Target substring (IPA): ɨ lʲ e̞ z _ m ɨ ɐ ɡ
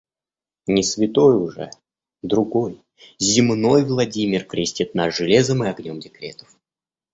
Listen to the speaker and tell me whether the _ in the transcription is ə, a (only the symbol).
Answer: ə